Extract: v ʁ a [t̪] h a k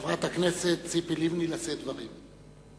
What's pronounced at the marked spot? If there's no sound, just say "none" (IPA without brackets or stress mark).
t̪